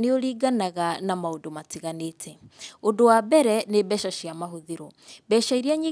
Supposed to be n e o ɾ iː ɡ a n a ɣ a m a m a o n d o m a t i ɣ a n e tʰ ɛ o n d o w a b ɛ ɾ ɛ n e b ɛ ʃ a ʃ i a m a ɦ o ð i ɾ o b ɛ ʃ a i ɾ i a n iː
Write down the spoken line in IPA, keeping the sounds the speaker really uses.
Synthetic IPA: n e o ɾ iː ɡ a n a ɣ a n a m a o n d o m a t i ɣ a n e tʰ ɛ o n d o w a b ɛ ɾ ɛ n e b ɛ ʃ a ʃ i a m a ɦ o ð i ɾ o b ɛ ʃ a i ɾ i a ɲ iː

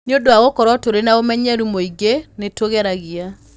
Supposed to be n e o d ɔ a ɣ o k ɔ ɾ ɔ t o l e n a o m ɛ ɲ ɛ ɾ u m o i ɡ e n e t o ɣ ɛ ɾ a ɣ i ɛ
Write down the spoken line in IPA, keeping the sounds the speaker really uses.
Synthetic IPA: n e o d o a ɣ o k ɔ ɾ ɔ t o ɾ e n a o m ɛ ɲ ɛ ɾ u m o i ɡ e n e t o ɣ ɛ ɾ a ɣ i a

